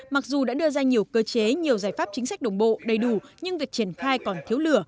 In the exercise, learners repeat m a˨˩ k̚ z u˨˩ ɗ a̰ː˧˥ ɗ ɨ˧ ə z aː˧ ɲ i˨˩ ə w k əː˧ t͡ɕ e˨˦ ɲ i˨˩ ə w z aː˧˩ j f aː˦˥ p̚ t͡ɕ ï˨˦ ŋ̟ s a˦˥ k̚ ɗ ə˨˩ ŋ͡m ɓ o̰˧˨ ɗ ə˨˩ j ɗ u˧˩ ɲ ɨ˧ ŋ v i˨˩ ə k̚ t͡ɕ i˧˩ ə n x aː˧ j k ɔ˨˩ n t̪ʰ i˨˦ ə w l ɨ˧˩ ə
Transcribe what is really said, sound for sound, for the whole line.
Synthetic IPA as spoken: m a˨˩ k̚ z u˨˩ ɗ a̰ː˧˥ ɗ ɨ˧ ə z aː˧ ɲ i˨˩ ə w k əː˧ t͡ɕ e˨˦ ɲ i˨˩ ə w z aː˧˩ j f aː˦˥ p̚ t͡ɕ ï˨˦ ŋ̟ s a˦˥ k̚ ɗ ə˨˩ ŋ͡m ɓ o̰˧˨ ɗ ə˨˩ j ɗ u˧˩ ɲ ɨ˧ ŋ v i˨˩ ə k̚ t͡ɕ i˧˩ ə n x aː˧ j k ɔ˨˩ n t̪ʰ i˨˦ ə w l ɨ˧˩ ə